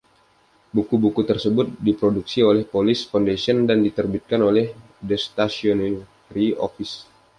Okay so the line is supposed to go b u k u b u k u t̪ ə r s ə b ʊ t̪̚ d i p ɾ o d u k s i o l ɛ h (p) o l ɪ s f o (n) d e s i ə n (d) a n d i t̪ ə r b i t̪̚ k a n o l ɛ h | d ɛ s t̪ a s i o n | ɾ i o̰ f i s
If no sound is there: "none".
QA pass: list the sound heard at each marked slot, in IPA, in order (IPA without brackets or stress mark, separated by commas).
p, n, d